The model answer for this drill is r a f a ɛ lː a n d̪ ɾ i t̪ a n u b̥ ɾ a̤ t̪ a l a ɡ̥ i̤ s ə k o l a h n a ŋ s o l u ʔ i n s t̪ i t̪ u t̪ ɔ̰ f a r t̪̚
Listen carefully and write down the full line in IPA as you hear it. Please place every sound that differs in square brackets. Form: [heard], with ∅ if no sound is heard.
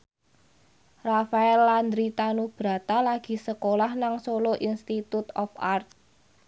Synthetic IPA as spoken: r a f a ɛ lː a n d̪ ɾ i t̪ a n u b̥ ɾ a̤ t̪ a l a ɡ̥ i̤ s ə k o l a h n a ŋ s o l [o] ʔ i n s t̪ i t̪ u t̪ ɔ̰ f a r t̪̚